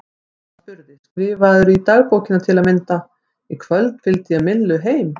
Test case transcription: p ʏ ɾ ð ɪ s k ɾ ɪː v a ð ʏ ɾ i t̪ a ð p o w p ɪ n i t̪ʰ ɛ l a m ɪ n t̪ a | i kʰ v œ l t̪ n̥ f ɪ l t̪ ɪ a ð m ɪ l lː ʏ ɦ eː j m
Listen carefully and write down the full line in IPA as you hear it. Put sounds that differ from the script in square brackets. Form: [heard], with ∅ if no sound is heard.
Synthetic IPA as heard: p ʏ ɾ ð ɪ s k ɾ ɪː v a ð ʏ ɾ i t̪ a [ɣ] p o w [c] ɪ n [a] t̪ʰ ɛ l a m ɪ n t̪ a | i kʰ v œ l t̪ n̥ f ɪ l t̪ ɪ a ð m ɪ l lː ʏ ɦ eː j m